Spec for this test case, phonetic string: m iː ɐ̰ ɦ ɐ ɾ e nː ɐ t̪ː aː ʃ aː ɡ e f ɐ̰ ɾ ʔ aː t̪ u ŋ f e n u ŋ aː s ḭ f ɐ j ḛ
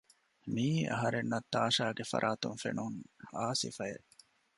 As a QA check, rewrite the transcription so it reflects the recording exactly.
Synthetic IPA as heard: m iː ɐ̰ ɦ ɐ ɾ e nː ɐ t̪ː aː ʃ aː ɡ e f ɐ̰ ɾ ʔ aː t̪ u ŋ f e n u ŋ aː s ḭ f ɐ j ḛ